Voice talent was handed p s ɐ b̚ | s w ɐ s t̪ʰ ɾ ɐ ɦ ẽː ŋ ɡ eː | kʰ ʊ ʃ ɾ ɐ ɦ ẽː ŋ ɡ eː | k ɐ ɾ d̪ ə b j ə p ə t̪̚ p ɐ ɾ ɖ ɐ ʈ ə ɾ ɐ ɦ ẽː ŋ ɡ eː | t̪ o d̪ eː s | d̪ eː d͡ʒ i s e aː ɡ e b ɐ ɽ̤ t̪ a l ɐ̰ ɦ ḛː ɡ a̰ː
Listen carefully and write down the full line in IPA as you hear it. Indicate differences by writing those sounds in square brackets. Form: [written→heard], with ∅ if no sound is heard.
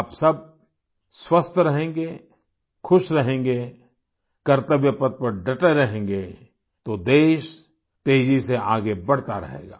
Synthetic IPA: p s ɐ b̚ | s w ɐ s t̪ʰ ɾ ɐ ɦ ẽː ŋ ɡ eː | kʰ ʊ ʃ ɾ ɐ ɦ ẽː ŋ ɡ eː | k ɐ ɾ [d̪→t̪] ə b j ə p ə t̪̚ p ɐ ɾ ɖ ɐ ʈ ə ɾ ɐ ɦ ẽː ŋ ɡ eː | t̪ o d̪ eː [s→ʃ] | [d̪→t̪] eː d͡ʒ i s e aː ɡ e b ɐ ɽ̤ t̪ a [l→ɾ] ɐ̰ ɦ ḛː ɡ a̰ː